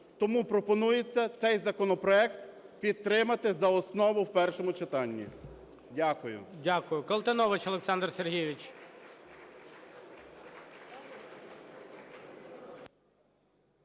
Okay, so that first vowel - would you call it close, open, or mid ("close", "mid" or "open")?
mid